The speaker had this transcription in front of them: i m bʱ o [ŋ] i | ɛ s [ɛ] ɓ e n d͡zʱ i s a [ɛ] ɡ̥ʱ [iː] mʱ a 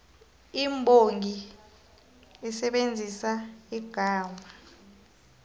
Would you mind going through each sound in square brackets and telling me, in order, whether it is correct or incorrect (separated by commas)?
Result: correct, correct, incorrect, incorrect